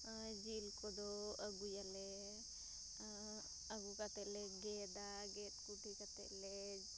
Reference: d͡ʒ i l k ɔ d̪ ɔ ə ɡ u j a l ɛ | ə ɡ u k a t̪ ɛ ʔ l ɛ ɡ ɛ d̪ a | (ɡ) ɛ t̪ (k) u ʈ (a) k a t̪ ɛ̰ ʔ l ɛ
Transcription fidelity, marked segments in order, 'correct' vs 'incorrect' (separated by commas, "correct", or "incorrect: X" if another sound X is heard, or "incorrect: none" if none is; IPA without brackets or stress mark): correct, correct, incorrect: i